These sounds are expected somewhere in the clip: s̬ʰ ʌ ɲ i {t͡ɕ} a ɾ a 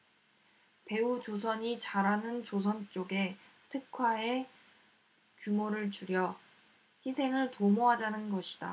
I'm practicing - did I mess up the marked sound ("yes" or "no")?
no